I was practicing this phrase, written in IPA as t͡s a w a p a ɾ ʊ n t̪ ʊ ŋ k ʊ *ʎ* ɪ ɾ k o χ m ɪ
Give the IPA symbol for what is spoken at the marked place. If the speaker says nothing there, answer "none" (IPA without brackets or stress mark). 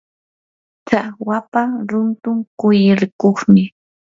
j